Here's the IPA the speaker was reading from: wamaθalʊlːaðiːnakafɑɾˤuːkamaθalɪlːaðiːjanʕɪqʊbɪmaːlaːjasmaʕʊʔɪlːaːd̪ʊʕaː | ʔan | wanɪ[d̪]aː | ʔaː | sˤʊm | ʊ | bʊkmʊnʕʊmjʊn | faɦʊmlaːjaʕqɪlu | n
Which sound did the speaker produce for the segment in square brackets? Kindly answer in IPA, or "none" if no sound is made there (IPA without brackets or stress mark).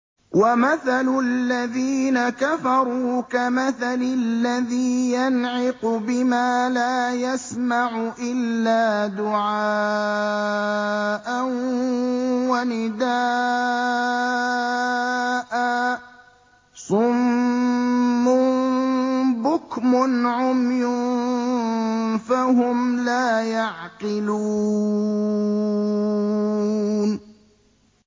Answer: d̪